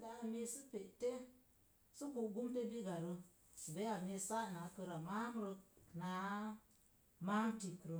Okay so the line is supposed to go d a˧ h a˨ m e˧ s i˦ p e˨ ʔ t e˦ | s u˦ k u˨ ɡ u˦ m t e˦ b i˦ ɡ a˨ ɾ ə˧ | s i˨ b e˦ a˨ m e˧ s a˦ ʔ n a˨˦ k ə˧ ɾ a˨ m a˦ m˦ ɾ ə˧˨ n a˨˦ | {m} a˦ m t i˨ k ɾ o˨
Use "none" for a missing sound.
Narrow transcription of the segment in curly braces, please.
m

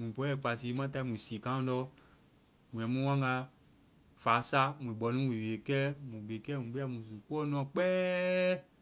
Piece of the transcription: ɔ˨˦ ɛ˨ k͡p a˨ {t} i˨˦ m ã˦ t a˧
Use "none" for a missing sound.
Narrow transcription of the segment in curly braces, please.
s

